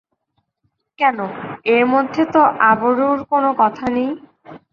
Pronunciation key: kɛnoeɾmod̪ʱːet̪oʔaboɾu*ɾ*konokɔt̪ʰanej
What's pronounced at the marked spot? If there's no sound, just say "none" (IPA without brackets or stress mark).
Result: ɾ